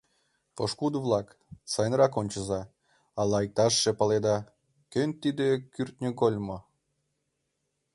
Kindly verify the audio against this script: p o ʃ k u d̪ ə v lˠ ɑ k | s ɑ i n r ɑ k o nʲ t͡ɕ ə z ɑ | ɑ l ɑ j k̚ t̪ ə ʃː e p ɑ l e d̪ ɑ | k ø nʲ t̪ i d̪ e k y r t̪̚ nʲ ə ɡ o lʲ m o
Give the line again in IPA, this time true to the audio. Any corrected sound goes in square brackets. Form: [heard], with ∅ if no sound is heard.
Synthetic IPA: p o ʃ k u d̪ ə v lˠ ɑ k | s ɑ [j] n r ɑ k o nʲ t͡ɕ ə z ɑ | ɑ l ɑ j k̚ t̪ [ɑ] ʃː e p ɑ l e d̪ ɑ | k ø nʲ t̪ i d̪ e k y r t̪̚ nʲ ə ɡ o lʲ m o